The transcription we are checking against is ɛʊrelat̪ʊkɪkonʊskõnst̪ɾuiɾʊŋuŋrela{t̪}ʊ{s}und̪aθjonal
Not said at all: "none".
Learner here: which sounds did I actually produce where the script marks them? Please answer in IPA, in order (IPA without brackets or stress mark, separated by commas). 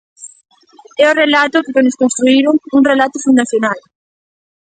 t̪, f